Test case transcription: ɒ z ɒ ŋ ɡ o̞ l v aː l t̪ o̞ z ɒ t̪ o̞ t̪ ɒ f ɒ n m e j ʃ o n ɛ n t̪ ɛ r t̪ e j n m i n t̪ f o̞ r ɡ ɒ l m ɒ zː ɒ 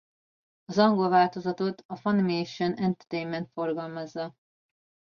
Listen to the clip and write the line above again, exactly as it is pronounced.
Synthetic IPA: ɒ z ɒ ŋ ɡ o̞ l v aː l t̪ o̞ z ɒ t̪ o̞ t̪ ɒ f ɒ n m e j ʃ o n ɛ n t̪ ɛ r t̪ e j n m ɛ n t̪ f o̞ r ɡ ɒ l m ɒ zː ɒ